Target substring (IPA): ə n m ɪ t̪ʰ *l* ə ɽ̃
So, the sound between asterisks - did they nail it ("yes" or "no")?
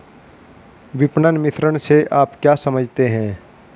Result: no